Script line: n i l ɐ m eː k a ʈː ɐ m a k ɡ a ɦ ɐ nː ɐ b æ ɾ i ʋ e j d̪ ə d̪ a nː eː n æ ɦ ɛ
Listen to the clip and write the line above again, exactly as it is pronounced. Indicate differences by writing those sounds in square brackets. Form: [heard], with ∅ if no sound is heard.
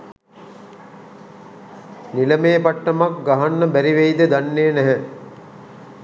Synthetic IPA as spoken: n i l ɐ m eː [p] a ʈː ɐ m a k ɡ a ɦ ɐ nː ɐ b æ ɾ i ʋ e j d̪ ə d̪ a nː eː n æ ɦ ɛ